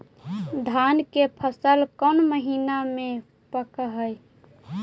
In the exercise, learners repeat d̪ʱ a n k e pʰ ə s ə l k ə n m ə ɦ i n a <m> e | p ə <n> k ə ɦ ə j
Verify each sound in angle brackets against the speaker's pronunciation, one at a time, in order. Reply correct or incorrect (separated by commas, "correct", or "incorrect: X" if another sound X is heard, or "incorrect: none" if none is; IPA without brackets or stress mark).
correct, incorrect: none